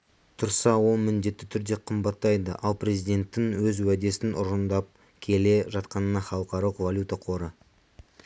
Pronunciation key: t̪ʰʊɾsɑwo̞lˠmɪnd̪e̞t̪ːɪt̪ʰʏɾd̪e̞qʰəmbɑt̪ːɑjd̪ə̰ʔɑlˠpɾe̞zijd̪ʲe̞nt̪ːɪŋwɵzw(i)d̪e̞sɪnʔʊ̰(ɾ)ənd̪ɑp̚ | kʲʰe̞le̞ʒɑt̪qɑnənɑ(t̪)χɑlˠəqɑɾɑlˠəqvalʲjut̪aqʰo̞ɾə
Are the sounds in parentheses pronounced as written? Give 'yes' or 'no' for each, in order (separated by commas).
no, yes, no